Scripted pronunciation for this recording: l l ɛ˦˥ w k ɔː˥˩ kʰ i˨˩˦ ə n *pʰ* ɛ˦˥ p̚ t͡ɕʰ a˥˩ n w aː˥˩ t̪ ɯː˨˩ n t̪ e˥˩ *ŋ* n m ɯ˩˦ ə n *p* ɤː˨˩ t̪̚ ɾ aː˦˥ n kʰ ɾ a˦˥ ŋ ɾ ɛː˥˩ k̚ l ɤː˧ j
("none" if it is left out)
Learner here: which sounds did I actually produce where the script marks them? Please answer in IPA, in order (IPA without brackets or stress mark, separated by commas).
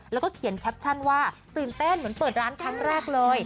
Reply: kʰ, none, p